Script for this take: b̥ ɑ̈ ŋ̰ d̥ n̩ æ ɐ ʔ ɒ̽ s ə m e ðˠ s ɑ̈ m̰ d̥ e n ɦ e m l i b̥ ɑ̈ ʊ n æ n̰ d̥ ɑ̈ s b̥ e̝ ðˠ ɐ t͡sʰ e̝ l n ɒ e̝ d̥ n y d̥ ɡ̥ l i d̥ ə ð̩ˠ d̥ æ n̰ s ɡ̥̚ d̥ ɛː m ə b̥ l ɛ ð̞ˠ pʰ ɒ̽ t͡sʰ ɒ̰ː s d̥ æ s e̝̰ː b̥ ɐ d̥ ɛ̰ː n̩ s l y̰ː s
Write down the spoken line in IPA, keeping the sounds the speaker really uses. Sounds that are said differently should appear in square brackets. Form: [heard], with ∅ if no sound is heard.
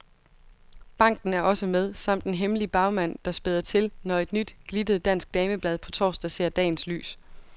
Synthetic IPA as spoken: b̥ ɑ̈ ŋ̰ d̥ n̩ æ ɐ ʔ ɒ̽ s ə m e ðˠ s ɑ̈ m̰ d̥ e n ɦ e m l i b̥ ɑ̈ ʊ [m] æ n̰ d̥ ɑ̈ s b̥ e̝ ðˠ ɐ t͡sʰ e̝ l n ɒ e̝ d̥ n y d̥ ɡ̥ l i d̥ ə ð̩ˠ d̥ æ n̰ s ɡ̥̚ d̥ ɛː m ə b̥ l ɛ ð̞ˠ pʰ ɒ̽ t͡sʰ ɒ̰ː s d̥ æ s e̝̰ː [∅] ɐ d̥ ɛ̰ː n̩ s l y̰ː s